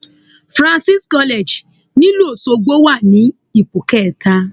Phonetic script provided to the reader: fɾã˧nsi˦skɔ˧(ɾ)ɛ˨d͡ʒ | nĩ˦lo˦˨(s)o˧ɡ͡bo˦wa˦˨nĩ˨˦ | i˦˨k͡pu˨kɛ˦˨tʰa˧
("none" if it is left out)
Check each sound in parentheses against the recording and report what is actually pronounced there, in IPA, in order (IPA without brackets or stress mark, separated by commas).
l, s